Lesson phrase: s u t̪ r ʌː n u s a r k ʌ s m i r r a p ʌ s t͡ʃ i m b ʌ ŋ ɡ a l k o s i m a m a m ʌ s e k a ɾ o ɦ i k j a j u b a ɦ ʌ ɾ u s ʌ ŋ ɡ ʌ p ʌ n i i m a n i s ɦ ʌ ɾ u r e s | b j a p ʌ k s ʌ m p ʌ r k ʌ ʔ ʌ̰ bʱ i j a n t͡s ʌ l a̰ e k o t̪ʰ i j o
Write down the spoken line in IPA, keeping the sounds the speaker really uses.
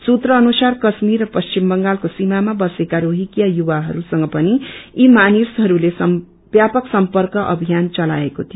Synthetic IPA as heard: s u t̪ r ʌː n u s a r k ʌ s m i r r ʌ p ʌ s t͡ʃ i m b ʌ ŋ ɡ a l k o s i m a m a b ʌ s e k a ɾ o ɦ i k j a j u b a ɦ ʌ ɾ u s ʌ ŋ ɡ ʌ p ʌ n i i m a n i s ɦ ʌ ɾ u l e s | b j a p ʌ k s ʌ m p ʌ r k ʌ ʔ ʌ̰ bʱ i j a n t͡s ʌ l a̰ e k o t̪ʰ i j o

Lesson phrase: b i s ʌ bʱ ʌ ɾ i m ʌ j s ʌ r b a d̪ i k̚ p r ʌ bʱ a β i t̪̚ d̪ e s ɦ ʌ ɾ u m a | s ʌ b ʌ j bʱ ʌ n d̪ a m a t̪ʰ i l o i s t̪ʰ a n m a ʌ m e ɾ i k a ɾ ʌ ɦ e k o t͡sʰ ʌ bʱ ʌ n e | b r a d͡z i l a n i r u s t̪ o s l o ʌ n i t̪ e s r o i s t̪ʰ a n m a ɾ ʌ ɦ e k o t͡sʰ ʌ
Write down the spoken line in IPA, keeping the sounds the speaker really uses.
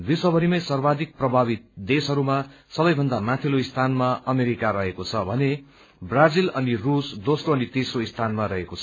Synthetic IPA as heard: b i s ʌ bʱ ʌ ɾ i m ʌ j s ʌ r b a d̪ i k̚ p r ʌ bʱ a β i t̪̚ d̪ e s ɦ ʌ ɾ u m a | s ʌ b ʌ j bʱ ʌ n d̪ a m a t̪ʰ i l o i s t̪ʰ a n m a ʌ m e ɾ i k a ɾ ʌ ɦ e k o t͡sʰ ʌ bʱ ʌ n e | b r a d͡z i l ʌ n i r u s d̪ o s r o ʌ n i t̪ e s r o i s t̪ʰ a n m a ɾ ʌ ɦ e k o t͡sʰ ʌ

